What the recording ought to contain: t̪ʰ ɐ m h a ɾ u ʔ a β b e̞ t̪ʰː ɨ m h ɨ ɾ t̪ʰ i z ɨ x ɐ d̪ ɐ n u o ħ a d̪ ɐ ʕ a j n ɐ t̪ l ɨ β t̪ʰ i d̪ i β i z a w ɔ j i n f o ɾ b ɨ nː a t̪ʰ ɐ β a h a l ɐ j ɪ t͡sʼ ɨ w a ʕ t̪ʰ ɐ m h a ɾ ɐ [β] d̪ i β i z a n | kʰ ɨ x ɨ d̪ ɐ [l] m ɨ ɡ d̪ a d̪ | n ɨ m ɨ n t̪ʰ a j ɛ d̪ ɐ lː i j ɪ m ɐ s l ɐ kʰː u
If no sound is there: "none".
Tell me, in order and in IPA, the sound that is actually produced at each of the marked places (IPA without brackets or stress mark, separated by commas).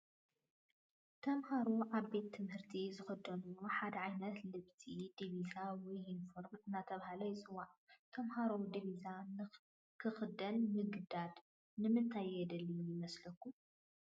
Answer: w, l